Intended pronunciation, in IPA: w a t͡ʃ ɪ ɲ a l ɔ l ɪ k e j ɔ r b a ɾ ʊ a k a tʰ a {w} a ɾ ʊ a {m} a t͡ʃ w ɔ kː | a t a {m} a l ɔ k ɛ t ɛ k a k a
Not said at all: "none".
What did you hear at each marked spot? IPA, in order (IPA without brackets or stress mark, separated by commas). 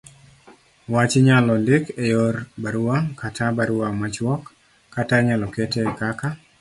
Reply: b, m, ɲ